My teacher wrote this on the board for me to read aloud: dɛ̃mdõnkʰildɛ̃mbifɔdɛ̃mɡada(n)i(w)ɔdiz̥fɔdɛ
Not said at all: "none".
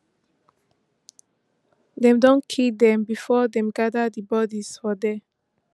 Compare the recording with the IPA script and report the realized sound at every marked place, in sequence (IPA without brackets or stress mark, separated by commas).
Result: d, b